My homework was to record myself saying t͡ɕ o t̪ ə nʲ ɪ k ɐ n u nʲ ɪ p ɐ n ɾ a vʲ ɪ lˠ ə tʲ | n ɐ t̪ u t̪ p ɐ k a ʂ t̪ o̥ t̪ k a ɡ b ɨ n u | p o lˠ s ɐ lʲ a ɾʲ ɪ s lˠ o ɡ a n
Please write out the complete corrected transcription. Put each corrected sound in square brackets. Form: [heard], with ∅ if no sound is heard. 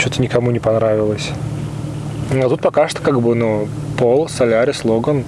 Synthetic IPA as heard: t͡ɕ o t̪ ə nʲ ɪ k ɐ [m] u nʲ ɪ p ɐ n ɾ a vʲ ɪ lˠ ə [sʲ] | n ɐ t̪ u t̪ p ɐ k a ʂ t̪ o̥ [∅] k a ɡ b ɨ n u | p o lˠ s ɐ lʲ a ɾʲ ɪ s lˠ o ɡ [ə] n

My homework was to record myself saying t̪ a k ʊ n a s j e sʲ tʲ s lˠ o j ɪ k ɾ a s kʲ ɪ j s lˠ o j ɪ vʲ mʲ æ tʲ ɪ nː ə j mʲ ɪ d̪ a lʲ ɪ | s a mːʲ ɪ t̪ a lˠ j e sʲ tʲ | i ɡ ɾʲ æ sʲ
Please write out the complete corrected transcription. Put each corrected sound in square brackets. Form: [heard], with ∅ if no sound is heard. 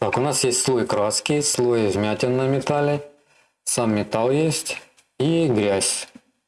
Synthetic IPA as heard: t̪ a k ʊ n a s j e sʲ tʲ s lˠ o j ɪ k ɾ a s kʲ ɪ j s lˠ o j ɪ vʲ mʲ æ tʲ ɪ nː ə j mʲ ɪ [t̪] a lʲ ɪ | s a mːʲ ɪ t̪ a lˠ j e sʲ tʲ | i ɡ ɾʲ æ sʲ

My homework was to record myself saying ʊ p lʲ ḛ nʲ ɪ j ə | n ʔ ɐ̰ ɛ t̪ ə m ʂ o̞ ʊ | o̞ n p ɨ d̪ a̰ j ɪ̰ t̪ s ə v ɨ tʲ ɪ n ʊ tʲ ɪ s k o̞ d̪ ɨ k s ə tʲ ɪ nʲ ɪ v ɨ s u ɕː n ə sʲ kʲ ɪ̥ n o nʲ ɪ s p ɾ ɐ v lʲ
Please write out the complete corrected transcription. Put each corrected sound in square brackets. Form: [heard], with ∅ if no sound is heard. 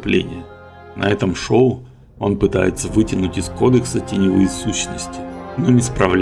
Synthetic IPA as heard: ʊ p lʲ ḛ nʲ ɪ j ə | n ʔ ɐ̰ ɛ t̪ ə m ʂ o̞ ʊ | o̞ n p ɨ [t̪] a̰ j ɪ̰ t̪ s ə v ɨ tʲ ɪ n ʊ tʲ ɪ s k o̞ d̪ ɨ k s ə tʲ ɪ nʲ ɪ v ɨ s u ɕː n ə sʲ [tʲ] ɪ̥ n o nʲ ɪ s p ɾ ɐ v lʲ

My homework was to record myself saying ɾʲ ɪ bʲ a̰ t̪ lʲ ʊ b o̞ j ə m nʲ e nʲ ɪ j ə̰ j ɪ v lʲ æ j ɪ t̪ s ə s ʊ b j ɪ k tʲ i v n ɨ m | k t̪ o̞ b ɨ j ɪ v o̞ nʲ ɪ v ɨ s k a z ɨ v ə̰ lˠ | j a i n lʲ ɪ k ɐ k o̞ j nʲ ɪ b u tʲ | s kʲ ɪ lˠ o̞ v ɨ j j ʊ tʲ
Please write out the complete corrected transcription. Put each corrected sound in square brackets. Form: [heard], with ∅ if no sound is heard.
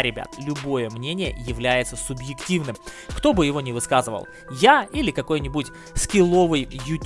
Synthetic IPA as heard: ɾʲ ɪ bʲ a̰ t̪ lʲ ʊ b o̞ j ə m nʲ e nʲ ɪ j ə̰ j ɪ v lʲ æ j ɪ t̪ s ə s ʊ b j ɪ k tʲ i v n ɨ m | k t̪ o̞ b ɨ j ɪ v o̞ nʲ ɪ v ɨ s k a z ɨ v ə̰ lˠ | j a i [∅] lʲ ɪ k ɐ k o̞ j nʲ ɪ b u tʲ | s kʲ ɪ lˠ o̞ v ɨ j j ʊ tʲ

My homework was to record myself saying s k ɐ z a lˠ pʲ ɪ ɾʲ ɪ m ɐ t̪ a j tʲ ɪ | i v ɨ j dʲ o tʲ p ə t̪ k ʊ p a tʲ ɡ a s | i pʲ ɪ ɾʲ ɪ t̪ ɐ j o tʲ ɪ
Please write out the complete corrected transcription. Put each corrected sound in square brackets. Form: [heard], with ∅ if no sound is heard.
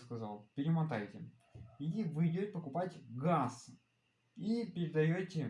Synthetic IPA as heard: s k ɐ z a lˠ pʲ ɪ ɾʲ ɪ m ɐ t̪ a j tʲ ɪ | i v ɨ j dʲ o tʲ p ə [∅] k ʊ p a tʲ ɡ a s | i pʲ ɪ ɾʲ ɪ [d̪] ɐ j o tʲ ɪ

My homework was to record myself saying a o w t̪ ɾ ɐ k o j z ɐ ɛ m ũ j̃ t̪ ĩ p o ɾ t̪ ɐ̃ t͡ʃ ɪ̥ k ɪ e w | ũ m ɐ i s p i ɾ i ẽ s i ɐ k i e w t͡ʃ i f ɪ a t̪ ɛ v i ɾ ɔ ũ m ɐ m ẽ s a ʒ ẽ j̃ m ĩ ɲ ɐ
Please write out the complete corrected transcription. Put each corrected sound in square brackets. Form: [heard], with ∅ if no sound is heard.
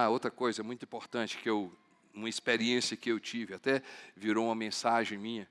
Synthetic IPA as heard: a o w t̪ ɾ ɐ k o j z ɐ ɛ m ũ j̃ t̪ ĩ p o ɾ t̪ ɐ̃ t͡ʃ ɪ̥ k ɪ e w | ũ m ɐ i s p [e] ɾ i ẽ s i ɐ k [ɪ] e w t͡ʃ i [v] ɪ a t̪ ɛ v i ɾ [o] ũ m ɐ m ẽ s a ʒ ẽ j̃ m ĩ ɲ ɐ

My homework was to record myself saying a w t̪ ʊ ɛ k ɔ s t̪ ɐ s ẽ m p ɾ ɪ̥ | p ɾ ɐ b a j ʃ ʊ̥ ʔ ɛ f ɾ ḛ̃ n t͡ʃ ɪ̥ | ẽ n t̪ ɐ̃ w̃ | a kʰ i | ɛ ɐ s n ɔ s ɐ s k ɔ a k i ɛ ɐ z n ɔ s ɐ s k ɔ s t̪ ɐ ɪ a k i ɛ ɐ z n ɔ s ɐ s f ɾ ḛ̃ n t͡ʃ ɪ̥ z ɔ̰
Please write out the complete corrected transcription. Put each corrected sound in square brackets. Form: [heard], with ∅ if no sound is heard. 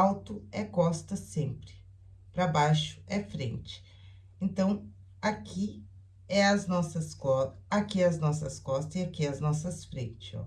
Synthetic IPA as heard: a w t̪ ʊ ɛ k ɔ s t̪ ɐ s ẽ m p ɾ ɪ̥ | p ɾ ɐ b a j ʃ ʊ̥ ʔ ɛ f ɾ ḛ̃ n t͡ʃ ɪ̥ | ẽ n t̪ ɐ̃ w̃ | a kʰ i | ɛ ɐ [z] n ɔ s ɐ s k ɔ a k i ɛ ɐ z n ɔ s ɐ s k ɔ s t̪ ɐ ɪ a k i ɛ ɐ z n ɔ s ɐ s f ɾ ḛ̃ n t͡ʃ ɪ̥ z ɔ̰

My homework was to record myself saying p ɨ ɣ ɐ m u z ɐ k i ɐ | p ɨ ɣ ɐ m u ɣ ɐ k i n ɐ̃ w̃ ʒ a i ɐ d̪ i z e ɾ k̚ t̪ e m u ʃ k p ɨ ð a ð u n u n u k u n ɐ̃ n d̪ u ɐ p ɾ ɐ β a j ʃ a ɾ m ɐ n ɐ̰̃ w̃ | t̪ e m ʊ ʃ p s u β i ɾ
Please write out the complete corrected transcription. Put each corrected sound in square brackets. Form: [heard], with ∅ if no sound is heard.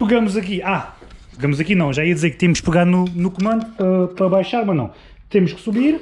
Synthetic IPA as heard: p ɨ ɣ ɐ m u z ɐ k i [a] | p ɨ ɣ ɐ m u [z] ɐ k i n ɐ̃ w̃ ʒ a i ɐ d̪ i z e ɾ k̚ t̪ e m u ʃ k p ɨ [ɣ] a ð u n u n u k u [m] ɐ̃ n d̪ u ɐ p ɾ ɐ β a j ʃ a ɾ m ɐ n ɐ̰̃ w̃ | t̪ e m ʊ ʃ [k] s u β i ɾ

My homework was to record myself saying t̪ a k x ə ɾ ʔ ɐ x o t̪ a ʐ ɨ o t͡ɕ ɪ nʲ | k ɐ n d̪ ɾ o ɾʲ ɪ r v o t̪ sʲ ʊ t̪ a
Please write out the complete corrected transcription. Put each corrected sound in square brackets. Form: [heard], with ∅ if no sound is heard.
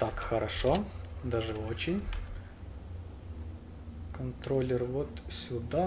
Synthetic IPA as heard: t̪ a k x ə ɾ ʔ ɐ [ʂ] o [d̪] a ʐ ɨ o t͡ɕ ɪ nʲ | k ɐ n [t̪] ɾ o [lʲ] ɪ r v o t̪ sʲ ʊ [d̪] a

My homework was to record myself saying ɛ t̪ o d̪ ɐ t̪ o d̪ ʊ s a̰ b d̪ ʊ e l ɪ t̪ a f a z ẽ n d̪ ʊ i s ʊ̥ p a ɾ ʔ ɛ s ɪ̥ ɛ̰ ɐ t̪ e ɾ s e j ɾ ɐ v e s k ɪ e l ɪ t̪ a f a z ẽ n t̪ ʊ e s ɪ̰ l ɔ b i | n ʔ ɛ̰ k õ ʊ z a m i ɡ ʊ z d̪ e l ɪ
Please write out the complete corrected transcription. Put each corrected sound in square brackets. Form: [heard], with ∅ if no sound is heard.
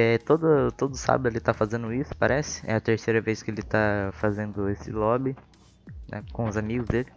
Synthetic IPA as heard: ɛ t̪ o d̪ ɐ t̪ o d̪ ʊ s a̰ b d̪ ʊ e l ɪ t̪ a f a z ẽ n d̪ ʊ i s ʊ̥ p a ɾ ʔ ɛ s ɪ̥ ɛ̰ ɐ t̪ e ɾ s e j ɾ ɐ v e s k ɪ e l ɪ t̪ a f a z ẽ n [d̪] ʊ e s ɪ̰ l ɔ b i | n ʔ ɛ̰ k õ ʊ z a m i ɡ ʊ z d̪ e l ɪ

